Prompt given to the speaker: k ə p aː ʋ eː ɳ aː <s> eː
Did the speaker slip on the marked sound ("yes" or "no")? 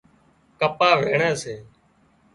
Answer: no